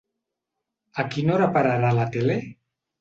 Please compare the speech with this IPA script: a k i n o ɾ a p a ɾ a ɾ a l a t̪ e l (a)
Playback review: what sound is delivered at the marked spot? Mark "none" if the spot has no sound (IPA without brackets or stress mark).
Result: e